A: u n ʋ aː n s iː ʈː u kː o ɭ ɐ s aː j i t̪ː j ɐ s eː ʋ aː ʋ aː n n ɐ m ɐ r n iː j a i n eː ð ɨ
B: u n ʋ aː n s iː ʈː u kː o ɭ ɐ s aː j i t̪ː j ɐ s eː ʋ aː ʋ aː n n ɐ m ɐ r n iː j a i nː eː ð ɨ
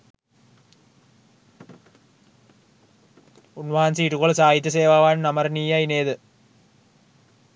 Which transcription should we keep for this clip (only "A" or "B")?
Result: A